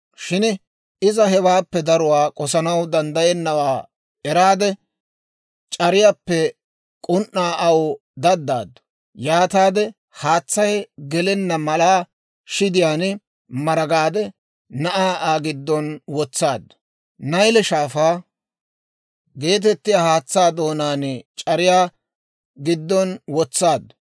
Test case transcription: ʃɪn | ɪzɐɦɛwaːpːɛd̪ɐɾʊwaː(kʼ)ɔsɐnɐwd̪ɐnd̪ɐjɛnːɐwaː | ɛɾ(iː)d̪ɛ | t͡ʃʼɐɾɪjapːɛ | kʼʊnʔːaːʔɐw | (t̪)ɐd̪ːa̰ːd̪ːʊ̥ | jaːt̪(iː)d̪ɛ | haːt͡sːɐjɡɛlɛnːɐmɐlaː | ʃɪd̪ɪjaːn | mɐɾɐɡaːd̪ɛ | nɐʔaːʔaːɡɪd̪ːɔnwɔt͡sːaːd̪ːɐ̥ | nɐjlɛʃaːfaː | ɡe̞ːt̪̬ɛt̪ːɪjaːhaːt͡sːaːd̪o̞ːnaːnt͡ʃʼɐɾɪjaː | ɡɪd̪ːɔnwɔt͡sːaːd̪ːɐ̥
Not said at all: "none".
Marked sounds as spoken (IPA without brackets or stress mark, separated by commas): kʼ, aː, d̪, aː